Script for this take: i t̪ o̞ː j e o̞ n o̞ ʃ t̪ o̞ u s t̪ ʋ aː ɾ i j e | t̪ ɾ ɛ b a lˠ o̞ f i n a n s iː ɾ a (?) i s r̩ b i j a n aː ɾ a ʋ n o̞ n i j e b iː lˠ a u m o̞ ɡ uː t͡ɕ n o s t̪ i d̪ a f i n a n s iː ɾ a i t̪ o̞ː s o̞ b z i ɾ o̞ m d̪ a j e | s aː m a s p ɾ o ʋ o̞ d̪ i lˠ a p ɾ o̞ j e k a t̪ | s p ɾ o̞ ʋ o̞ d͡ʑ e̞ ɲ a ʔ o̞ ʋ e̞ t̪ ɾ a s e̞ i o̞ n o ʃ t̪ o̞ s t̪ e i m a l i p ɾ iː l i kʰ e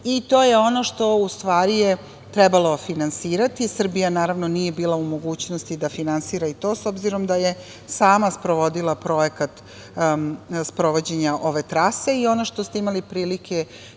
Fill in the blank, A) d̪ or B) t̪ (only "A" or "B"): B